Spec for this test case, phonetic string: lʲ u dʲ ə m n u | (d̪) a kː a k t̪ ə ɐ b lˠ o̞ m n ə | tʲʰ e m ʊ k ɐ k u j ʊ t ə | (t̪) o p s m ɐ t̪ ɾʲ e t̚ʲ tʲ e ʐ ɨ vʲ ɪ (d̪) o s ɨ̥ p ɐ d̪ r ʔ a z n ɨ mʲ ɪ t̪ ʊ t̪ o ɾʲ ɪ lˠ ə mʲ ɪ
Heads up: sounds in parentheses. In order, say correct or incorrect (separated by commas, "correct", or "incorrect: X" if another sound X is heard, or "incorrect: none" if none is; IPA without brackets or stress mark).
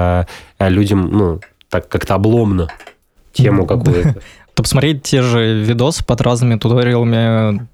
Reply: incorrect: t̪, correct, correct